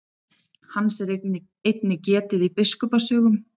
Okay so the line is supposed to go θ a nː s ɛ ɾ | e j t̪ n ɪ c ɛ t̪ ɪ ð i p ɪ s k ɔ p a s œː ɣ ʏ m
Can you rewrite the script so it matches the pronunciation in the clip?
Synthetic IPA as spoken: h a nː s ɛ ɾ | e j t̪ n ɪ c ɛː t̪ ɪ ð i p ɪ s k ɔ p a s œː ɣ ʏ m